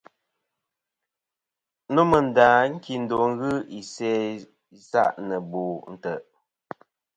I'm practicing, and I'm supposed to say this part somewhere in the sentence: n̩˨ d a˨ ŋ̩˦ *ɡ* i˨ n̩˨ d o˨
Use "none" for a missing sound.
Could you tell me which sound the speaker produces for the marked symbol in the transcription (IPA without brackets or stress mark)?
k